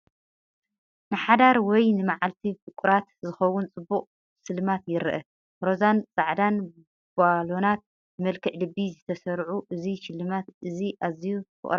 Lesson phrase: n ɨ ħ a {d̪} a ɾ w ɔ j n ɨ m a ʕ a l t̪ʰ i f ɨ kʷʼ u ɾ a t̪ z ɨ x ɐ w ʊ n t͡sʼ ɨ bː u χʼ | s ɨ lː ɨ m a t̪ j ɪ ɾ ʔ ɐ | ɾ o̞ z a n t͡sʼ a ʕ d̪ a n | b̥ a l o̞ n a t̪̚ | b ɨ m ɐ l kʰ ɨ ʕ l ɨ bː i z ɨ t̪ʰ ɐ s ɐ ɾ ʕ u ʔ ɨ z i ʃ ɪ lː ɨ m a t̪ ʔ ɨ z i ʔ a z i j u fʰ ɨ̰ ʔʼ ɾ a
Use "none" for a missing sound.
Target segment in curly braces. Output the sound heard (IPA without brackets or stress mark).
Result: d̪